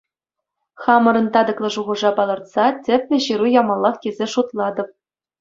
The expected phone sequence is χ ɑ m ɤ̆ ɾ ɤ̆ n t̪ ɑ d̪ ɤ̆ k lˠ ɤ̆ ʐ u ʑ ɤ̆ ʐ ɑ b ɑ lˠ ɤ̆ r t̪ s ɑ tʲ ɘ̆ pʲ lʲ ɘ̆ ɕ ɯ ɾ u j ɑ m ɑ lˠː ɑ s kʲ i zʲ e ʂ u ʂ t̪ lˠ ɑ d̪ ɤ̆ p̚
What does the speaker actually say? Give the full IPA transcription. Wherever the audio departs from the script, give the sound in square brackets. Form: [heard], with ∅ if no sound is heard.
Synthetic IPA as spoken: χ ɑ m ɤ̆ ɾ ɤ̆ n t̪ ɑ d̪ ɤ̆ k lˠ ɤ̆ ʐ u [ʁ] ɤ̆ ʐ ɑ [p] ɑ lˠ ɤ̆ r t̪ s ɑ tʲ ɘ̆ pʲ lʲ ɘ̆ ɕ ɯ ɾ u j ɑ m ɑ lˠː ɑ [χ] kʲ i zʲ e ʂ u [∅] t̪ lˠ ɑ d̪ ɤ̆ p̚